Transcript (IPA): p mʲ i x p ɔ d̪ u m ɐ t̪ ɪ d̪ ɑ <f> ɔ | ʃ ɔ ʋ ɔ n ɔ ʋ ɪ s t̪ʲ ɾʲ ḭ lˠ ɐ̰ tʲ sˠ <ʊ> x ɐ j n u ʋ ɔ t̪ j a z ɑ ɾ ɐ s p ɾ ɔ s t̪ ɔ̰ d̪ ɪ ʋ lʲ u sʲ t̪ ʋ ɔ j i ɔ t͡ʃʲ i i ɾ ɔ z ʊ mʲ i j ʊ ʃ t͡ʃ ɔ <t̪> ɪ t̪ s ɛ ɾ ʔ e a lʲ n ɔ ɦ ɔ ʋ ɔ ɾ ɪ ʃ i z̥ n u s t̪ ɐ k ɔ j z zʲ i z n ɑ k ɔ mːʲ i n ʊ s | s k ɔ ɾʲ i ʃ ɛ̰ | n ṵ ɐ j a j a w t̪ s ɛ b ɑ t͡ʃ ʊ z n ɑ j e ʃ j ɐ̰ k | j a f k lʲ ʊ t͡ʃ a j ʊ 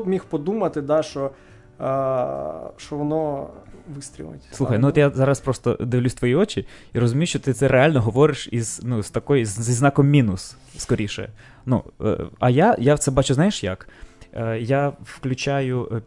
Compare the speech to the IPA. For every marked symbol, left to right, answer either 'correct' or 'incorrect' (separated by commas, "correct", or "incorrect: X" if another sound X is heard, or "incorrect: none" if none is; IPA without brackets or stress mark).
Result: incorrect: ʃ, incorrect: u, correct